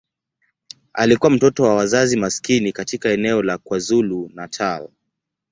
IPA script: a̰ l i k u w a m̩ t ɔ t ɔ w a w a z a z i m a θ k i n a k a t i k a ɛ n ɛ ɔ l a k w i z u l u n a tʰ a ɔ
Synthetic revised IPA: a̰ l i k u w a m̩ t ɔ t ɔ w a w a z a z i m a s k i n i k a t i k a ɛ n ɛ ɔ l a k w a z u l u n a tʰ a ɔ